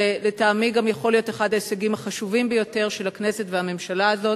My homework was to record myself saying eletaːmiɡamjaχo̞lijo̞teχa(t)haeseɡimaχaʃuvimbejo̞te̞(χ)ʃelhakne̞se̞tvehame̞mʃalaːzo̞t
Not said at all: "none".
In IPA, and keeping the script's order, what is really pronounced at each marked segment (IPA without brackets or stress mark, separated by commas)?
d, ʁ